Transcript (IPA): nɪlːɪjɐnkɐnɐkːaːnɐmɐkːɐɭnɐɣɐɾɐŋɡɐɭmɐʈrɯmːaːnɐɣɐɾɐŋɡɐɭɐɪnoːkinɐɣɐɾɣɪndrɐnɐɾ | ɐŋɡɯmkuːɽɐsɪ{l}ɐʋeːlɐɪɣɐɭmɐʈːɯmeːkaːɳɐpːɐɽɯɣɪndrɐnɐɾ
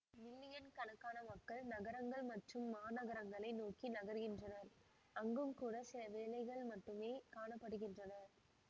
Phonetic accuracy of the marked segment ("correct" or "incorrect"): correct